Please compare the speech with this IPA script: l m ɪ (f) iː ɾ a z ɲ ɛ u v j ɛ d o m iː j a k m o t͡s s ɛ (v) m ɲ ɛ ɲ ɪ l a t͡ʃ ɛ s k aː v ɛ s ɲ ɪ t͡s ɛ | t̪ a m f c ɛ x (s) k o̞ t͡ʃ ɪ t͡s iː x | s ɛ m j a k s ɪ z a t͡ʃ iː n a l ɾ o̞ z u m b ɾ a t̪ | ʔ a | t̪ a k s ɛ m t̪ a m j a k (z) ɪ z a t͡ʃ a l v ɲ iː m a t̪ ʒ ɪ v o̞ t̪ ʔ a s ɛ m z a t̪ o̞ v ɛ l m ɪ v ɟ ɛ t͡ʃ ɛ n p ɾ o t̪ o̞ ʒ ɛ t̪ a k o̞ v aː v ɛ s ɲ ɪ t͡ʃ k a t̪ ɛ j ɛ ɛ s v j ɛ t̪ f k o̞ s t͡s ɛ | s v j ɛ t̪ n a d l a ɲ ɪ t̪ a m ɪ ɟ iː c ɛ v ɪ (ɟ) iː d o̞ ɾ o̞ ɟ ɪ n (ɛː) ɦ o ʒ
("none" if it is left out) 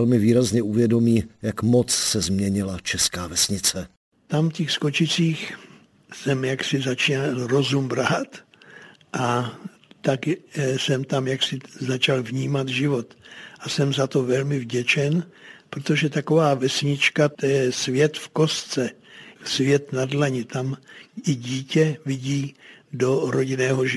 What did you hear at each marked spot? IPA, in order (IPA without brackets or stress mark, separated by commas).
v, z, s, s, ɟ, ɛː